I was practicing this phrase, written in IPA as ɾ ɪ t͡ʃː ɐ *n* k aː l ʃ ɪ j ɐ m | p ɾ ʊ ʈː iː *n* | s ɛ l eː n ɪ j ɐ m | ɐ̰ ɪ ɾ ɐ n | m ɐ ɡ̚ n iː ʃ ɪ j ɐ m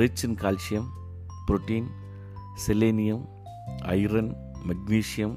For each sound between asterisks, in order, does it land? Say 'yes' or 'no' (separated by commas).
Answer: yes, yes